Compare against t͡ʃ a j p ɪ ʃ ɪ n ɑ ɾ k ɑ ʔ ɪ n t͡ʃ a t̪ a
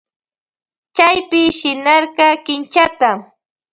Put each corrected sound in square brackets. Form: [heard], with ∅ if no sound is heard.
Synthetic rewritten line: t͡ʃ a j p ɪ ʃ ɪ n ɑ ɾ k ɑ [k] ɪ n t͡ʃ a t̪ a